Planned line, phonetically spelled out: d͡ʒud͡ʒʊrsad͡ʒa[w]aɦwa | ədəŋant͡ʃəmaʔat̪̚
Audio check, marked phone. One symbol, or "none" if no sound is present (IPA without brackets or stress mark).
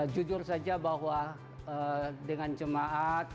b